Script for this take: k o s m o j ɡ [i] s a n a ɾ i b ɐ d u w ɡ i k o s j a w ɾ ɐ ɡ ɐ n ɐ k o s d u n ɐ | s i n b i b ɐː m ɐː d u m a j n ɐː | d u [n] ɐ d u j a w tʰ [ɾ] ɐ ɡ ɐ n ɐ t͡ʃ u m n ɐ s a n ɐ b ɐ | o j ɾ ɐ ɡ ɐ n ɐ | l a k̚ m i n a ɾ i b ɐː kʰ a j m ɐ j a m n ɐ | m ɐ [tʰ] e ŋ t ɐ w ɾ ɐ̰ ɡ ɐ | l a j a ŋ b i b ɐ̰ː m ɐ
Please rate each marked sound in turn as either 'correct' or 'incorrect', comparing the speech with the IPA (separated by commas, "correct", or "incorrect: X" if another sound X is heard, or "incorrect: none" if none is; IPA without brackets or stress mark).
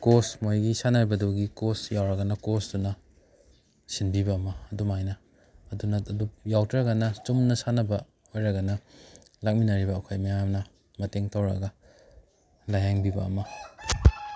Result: correct, correct, correct, incorrect: t